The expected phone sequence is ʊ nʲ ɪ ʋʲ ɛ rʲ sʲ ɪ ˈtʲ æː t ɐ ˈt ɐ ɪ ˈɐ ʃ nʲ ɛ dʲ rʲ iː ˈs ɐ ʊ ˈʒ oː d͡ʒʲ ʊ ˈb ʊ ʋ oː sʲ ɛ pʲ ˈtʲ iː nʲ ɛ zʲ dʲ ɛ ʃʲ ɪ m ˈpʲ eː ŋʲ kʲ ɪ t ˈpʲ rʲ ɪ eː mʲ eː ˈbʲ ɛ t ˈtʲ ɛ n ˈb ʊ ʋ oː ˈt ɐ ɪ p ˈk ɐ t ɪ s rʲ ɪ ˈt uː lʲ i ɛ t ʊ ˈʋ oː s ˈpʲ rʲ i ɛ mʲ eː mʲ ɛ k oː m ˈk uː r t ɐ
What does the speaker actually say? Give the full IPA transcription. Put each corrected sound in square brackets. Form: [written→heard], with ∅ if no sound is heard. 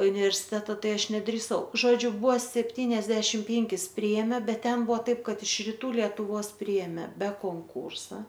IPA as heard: ʊ nʲ ɪ ʋʲ ɛ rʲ sʲ ɪ ˈtʲ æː t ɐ ˈt ɐ ɪ ˈɐ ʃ nʲ ɛ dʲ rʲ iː ˈs ɐ ʊ ˈʒ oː d͡ʒʲ ʊ ˈb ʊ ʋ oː sʲ ɛ pʲ ˈtʲ iː nʲ ɛ zʲ dʲ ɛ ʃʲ ɪ m ˈpʲ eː ŋʲ kʲ ɪ [t→s] ˈpʲ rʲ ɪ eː mʲ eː ˈbʲ ɛ t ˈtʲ ɛ n ˈb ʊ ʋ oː ˈt ɐ ɪ p ˈk ɐ t ɪ [s→ʃ] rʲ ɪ ˈt uː lʲ i ɛ t ʊ ˈʋ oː s ˈpʲ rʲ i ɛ mʲ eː [mʲ→bʲ] ɛ k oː [m→ŋ] ˈk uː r [t→s] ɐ

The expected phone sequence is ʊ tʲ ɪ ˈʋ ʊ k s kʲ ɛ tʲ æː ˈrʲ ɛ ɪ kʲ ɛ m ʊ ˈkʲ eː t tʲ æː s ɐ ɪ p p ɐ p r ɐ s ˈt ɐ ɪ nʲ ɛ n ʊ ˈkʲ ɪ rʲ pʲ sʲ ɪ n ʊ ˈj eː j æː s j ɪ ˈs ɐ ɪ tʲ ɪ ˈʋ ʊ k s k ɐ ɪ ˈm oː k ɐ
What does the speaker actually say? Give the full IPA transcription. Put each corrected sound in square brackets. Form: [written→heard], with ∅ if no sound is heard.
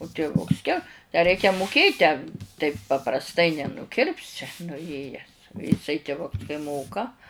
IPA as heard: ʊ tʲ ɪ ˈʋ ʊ k s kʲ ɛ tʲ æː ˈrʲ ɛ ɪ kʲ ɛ m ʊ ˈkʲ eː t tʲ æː [s→t] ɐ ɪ p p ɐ p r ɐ s ˈt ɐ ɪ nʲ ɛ n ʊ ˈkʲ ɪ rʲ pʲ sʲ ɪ n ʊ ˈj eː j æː s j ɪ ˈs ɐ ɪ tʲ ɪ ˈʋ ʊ k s k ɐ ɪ ˈm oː k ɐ

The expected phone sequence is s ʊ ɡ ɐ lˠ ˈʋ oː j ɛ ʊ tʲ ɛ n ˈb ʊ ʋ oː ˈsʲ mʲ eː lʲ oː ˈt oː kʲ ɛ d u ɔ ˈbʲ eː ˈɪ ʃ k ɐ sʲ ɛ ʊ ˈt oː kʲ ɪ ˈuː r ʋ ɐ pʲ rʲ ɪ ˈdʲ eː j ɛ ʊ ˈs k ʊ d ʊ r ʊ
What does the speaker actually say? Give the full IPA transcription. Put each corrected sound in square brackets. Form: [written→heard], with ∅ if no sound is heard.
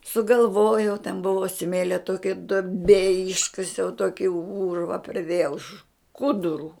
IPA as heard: s ʊ ɡ ɐ lˠ ˈʋ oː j ɛ ʊ tʲ ɛ n ˈb ʊ ʋ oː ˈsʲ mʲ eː lʲ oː ˈt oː kʲ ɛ d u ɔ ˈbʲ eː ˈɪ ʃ k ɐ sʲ ɛ ʊ ˈt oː kʲ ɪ ˈuː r ʋ ɐ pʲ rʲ ɪ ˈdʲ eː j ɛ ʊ [ˈs→ˈʃ] k ʊ d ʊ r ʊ

